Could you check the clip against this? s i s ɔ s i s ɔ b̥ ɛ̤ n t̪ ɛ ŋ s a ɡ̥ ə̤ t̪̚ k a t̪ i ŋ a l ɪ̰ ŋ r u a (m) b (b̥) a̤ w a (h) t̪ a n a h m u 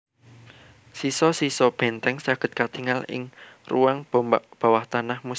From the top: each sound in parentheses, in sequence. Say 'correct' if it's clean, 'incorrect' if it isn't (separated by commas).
incorrect, correct, correct